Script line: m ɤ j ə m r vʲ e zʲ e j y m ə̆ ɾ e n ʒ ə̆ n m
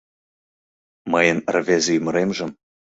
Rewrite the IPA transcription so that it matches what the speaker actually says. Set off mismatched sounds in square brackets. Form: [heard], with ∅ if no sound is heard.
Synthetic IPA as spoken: m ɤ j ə [n] r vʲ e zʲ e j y m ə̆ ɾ e [m] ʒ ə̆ [∅] m